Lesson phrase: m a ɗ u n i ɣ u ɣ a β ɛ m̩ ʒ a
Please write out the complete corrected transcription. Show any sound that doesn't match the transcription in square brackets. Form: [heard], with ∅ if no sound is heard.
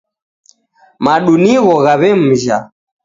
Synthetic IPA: m a ɗ u n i ɣ [ɔ] ɣ a β ɛ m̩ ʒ a